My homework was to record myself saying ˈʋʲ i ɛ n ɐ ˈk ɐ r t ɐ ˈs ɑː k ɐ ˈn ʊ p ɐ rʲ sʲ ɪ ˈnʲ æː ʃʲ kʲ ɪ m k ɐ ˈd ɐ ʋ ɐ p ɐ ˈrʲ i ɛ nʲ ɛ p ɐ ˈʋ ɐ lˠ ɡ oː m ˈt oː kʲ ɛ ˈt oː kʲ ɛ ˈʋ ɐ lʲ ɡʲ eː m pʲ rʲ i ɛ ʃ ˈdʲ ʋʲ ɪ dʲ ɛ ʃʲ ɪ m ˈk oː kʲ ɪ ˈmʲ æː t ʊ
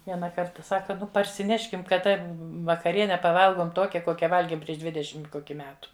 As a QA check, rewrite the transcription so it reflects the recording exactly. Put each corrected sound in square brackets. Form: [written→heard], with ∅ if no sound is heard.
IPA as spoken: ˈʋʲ i ɛ n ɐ ˈk ɐ r t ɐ ˈs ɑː k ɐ ˈn ʊ p ɐ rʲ sʲ ɪ ˈnʲ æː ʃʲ kʲ ɪ m k ɐ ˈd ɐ ʋ ɐ [p→k] ɐ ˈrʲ i ɛ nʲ ɛ p ɐ ˈʋ ɐ lˠ ɡ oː m ˈt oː kʲ ɛ [ˈt→ˈk] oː kʲ ɛ ˈʋ ɐ lʲ ɡʲ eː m pʲ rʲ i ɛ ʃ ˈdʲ ʋʲ ɪ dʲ ɛ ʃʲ ɪ m ˈk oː kʲ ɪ ˈmʲ æː t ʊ